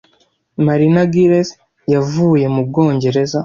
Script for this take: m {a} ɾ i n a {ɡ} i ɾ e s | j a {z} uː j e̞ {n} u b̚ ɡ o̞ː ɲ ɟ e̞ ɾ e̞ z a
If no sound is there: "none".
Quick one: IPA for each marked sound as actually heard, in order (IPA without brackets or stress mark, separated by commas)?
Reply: a, ɡ, v, m